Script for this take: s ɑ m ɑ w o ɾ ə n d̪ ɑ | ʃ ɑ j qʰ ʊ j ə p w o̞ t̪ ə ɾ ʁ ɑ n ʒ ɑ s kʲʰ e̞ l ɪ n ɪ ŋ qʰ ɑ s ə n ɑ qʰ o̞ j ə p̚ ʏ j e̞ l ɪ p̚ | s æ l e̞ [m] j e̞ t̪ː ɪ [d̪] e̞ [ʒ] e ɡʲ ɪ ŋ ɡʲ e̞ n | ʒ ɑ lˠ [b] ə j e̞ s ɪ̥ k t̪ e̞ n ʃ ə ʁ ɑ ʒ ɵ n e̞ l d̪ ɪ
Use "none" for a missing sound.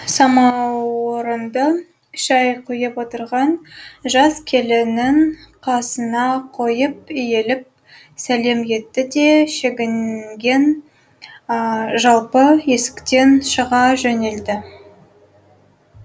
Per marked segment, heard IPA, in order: m, d̪, ʃ, p

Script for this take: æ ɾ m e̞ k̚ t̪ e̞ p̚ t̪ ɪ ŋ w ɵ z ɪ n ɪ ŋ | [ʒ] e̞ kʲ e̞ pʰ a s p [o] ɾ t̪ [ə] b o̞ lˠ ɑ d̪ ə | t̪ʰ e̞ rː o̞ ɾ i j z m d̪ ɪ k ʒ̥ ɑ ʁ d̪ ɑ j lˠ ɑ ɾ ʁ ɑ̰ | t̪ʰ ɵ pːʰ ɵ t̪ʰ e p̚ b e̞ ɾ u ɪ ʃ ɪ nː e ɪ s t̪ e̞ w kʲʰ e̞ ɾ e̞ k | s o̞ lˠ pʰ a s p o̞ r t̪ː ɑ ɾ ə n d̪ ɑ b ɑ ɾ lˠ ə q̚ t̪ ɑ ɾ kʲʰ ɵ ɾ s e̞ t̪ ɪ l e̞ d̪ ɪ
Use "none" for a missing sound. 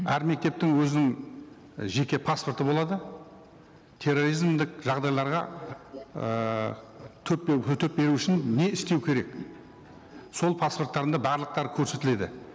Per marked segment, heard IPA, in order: ʒ, o, ə

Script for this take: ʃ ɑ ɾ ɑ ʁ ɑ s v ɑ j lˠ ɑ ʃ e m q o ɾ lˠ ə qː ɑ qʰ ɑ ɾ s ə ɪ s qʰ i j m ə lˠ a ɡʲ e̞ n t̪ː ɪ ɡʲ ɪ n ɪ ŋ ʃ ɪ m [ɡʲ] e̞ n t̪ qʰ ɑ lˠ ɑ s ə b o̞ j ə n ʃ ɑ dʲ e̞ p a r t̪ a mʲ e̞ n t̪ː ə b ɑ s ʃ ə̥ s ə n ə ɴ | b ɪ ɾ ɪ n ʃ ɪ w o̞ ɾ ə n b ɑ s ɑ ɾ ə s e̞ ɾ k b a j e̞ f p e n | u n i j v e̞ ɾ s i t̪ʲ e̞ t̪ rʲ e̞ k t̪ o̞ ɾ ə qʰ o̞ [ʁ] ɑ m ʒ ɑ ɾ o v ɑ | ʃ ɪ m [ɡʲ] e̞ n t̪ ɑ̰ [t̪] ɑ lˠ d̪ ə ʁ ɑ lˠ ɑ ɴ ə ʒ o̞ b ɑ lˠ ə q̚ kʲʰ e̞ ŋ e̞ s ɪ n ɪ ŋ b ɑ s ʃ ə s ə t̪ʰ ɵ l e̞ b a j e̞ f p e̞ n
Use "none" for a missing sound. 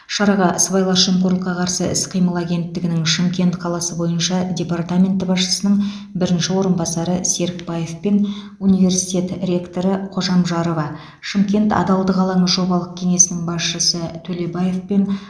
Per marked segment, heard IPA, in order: kʲ, ʒ, kʲ, d̪

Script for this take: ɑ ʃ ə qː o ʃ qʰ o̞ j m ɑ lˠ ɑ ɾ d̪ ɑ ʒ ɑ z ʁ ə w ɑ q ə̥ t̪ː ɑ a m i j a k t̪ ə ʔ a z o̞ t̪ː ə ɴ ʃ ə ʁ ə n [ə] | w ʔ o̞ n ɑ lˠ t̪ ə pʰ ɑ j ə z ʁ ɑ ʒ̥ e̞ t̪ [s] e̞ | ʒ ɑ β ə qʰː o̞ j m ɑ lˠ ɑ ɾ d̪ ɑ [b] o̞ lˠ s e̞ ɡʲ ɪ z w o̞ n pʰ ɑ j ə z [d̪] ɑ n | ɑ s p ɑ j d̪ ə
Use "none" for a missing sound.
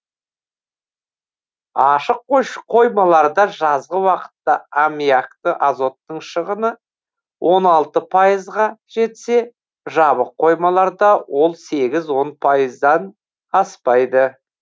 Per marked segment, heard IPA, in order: ə, s, w, d̪

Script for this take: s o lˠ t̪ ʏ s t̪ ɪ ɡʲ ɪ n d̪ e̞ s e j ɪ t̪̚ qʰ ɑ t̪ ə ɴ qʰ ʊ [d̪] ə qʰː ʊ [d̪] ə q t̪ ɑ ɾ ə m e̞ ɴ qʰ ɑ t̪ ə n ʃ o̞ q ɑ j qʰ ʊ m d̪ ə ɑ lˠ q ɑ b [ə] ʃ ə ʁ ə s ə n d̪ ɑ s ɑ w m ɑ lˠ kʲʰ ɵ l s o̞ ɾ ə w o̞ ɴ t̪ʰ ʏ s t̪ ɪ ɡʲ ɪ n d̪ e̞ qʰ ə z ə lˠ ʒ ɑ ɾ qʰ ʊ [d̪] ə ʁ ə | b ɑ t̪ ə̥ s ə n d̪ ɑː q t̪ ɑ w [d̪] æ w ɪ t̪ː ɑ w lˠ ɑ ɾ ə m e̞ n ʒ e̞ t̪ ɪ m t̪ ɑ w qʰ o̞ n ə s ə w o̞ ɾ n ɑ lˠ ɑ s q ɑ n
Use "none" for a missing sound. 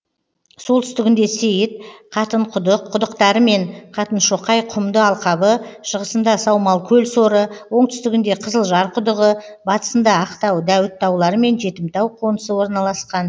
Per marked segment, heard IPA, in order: d̪, d̪, ə, d̪, d̪

